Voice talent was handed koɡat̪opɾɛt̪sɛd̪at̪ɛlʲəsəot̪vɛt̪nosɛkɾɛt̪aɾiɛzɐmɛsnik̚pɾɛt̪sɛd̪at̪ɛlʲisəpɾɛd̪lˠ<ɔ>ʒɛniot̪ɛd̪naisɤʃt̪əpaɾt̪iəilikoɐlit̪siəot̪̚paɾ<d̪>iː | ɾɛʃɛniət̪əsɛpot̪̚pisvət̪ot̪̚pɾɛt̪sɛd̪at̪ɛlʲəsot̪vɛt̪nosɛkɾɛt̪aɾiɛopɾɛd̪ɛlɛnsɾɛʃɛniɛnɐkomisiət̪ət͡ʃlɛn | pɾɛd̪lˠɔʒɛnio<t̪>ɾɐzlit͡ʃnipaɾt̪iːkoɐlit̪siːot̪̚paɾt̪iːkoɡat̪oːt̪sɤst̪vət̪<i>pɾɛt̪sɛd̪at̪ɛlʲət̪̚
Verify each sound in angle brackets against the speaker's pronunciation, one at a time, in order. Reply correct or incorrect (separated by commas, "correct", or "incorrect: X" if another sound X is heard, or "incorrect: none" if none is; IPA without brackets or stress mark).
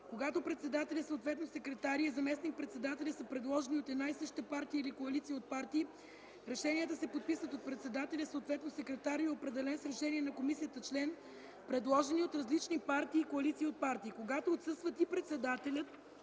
correct, incorrect: t̪, correct, correct